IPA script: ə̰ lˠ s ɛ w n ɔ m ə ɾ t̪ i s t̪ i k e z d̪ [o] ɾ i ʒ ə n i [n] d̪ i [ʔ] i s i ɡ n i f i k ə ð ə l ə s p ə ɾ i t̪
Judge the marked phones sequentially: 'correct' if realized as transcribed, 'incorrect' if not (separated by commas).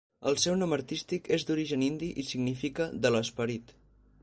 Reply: incorrect, correct, correct